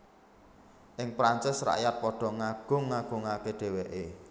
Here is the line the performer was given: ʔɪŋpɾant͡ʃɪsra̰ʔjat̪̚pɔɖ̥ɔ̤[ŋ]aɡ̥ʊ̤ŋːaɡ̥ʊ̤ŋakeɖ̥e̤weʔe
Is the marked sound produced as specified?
yes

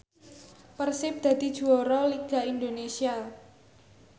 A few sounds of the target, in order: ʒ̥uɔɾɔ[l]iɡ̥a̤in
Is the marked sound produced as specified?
yes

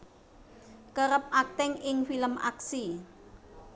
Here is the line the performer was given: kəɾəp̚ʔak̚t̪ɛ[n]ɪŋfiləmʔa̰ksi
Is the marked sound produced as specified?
no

